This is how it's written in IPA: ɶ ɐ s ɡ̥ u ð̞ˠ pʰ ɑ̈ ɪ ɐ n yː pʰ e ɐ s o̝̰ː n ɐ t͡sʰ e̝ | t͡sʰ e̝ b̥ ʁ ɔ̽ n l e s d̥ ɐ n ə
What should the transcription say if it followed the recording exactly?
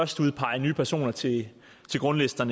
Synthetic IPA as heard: ɶ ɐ s d̥ u ð̞ˠ pʰ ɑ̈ ɪ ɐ n yː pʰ æ ɐ s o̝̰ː n ɐ t͡sʰ e̝ | t͡sʰ e̝ ɡ̥ ʁ ɔ̽ n l e s d̥ ɐ n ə